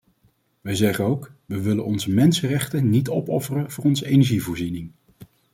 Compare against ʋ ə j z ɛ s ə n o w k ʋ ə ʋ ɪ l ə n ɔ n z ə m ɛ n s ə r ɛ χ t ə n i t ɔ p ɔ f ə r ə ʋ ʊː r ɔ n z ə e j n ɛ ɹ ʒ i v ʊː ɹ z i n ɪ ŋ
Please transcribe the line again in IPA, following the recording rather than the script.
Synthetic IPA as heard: ʋ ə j z ɛ χ ə n o w k ʋ ə ʋ ɪ l ə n ɔ n z ə m ɛ n s ə r ɛ χ t ə n i t ɔ p ɔ f ə r ə v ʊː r ɔ n z ə e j n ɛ ɹ ʒ i v ʊː ɹ z i n ɪ ŋ